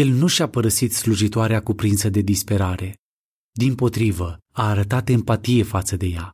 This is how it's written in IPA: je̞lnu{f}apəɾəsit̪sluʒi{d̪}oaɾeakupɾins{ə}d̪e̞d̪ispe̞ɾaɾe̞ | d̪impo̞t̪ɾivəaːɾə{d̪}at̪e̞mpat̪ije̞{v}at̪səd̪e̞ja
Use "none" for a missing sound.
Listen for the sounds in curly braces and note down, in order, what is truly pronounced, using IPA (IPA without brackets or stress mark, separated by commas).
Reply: ʃ, t̪, ə, t̪, f